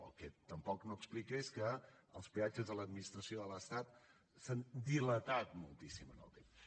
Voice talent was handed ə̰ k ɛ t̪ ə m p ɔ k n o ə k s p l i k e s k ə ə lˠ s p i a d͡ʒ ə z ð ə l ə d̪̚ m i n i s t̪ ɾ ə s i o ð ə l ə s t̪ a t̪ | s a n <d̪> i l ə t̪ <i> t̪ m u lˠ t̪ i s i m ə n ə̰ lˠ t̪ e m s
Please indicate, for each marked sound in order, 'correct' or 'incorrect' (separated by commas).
correct, incorrect